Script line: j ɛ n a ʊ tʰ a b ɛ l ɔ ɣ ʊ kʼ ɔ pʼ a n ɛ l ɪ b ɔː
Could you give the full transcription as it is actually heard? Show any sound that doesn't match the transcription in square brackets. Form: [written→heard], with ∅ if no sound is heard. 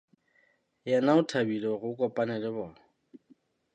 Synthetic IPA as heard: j ɛ n a ʊ tʰ a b [ɛ→i] l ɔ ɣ ʊ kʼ ɔ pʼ a n ɛ l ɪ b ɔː